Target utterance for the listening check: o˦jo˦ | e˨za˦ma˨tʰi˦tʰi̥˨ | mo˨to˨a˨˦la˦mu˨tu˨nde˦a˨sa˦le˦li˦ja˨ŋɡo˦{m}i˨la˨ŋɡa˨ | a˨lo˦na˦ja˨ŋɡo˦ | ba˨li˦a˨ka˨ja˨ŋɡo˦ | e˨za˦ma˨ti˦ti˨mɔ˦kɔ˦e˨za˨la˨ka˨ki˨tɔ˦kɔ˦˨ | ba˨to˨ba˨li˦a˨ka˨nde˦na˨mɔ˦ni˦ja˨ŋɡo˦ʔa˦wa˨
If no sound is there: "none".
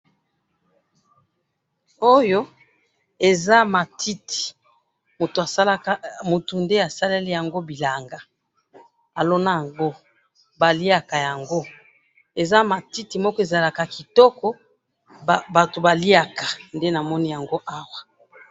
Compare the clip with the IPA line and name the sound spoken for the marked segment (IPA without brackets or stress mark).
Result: b